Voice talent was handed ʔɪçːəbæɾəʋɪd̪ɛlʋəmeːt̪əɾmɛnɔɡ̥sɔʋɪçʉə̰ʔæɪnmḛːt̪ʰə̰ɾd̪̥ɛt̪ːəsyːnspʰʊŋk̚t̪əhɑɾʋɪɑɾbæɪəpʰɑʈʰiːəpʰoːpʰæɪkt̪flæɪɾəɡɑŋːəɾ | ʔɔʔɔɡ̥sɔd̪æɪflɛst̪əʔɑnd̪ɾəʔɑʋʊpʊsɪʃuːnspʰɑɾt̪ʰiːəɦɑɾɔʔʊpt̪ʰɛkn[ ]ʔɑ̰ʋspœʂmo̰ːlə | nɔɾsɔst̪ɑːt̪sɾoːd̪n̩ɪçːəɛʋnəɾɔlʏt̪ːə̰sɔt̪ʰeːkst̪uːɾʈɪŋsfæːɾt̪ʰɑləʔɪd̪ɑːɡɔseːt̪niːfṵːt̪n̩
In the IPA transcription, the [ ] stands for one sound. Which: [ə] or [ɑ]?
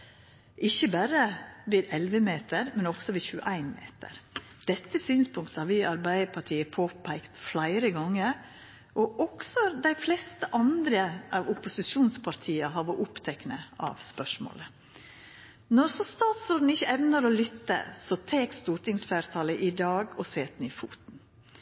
ə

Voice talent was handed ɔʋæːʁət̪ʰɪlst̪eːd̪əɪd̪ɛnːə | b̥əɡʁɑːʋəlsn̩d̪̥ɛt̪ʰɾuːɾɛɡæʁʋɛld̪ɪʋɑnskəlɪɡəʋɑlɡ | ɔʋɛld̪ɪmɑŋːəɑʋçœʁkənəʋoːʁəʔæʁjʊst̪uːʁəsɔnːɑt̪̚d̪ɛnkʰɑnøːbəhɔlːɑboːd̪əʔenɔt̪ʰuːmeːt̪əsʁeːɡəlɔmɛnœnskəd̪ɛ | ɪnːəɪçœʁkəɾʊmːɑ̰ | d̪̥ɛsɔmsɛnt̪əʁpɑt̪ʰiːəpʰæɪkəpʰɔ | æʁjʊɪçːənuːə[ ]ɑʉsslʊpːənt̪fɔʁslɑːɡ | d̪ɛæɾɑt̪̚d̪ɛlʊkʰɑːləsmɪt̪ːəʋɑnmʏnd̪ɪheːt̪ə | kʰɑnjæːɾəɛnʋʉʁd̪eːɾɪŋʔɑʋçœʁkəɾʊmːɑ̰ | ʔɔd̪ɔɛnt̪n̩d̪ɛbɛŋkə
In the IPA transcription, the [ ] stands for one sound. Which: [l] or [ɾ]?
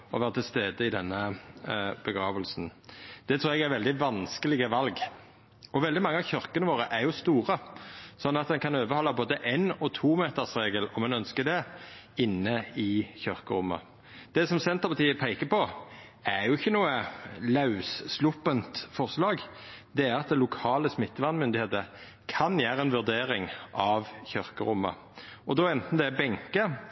l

